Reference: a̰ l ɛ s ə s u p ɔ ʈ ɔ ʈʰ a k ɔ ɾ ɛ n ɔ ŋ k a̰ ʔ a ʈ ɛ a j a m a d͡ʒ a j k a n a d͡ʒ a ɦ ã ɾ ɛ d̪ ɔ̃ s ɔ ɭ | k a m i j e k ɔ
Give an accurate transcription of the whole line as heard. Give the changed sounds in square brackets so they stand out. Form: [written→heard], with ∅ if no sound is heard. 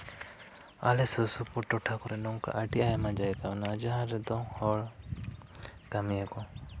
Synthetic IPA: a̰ l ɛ s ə s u p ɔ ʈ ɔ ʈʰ a k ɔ ɾ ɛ n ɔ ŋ k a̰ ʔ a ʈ [ɛ→i] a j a m a d͡ʒ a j k a n a d͡ʒ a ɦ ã ɾ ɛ d̪ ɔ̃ [s→h] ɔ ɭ | k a m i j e k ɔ